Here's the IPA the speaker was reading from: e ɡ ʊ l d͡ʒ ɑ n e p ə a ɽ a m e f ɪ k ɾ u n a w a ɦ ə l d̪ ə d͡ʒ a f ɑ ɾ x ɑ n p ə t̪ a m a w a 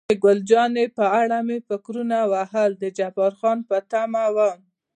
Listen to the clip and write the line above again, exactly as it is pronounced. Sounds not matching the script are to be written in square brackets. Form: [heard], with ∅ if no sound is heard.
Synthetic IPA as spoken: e ɡ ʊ l d͡ʒ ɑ n e p ə a ɽ a m e f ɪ k ɾ u n a w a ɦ ə l d̪ ə d͡ʒ a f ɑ ɾ x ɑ n p ə t̪ a m a w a